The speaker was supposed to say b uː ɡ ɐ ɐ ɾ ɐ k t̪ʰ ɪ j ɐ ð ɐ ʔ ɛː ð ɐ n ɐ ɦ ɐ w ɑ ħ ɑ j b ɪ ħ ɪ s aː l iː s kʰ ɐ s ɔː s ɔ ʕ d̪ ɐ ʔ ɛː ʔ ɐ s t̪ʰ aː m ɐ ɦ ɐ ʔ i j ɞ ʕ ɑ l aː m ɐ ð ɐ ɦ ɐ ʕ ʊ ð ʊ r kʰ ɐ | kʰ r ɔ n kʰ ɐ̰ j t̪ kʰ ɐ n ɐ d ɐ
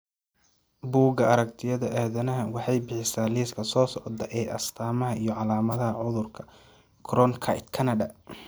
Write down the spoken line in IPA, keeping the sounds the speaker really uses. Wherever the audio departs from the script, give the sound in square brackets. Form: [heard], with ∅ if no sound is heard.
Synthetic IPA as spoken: b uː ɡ ɐ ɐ ɾ ɐ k t̪ʰ ɪ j ɐ ð ɐ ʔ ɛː ð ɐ n ɐ ɦ ɐ w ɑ ħ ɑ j b ɪ ħ ɪ s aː l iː s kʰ ɐ s ɔː s ɔ ʕ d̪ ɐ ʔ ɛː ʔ ɐ s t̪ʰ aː m ɐ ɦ ɐ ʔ i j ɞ ʕ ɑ l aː m ɐ ð ɐ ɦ ɐ ʕ ʊ ð ʊ r kʰ ɐ | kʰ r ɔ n kʰ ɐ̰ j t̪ kʰ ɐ n ɐ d ɐ